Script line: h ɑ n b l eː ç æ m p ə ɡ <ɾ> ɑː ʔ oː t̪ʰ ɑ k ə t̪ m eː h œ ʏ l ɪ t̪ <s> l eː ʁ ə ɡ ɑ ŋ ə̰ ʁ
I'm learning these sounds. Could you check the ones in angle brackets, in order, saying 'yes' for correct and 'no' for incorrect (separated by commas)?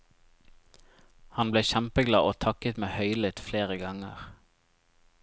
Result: no, no